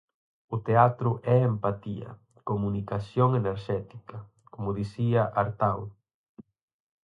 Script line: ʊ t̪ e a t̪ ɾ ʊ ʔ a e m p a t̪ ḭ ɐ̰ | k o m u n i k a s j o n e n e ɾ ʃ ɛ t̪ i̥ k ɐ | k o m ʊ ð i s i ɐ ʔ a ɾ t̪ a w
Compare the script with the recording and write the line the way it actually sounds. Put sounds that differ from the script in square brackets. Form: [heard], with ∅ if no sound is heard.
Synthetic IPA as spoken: ʊ t̪ e a t̪ ɾ ʊ ʔ [ɛ] e m p a t̪ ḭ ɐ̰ | k o m u n i k a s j o [ŋ] e n e ɾ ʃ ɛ t̪ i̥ k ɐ | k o m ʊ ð i s i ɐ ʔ a ɾ t̪ a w